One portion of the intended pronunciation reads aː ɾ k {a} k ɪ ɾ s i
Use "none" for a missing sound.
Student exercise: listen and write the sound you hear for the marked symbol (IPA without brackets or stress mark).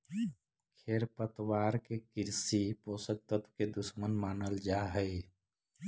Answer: e